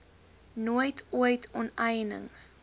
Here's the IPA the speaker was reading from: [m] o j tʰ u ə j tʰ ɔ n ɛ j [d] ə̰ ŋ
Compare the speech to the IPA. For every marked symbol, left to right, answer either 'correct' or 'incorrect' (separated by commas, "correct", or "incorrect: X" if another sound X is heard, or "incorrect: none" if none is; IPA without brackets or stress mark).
incorrect: n, incorrect: n